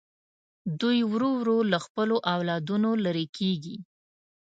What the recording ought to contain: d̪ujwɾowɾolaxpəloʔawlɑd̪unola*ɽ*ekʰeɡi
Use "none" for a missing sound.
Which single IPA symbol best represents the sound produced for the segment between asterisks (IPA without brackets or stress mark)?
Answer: ɾ